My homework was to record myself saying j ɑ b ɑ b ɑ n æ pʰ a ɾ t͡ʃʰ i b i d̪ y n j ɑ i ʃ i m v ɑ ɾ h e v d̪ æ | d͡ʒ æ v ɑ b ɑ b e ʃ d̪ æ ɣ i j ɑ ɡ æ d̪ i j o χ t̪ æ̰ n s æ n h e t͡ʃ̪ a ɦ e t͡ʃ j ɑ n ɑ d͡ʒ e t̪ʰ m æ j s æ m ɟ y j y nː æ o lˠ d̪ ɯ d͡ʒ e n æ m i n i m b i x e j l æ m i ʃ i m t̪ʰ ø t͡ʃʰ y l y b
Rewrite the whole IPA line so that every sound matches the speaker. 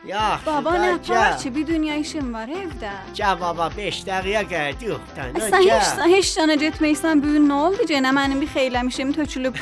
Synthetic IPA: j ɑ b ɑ b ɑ n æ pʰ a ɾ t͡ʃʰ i b i d̪ y n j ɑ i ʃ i m v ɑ ɾ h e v d̪ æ | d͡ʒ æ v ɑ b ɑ b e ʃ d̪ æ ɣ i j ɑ ɡ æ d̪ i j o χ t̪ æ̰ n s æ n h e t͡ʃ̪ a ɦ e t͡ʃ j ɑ n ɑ d͡ʒ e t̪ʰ m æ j s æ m b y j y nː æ o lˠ d̪ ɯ d͡ʒ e n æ m æ n i m b i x e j l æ m i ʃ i m t̪ʰ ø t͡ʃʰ y l y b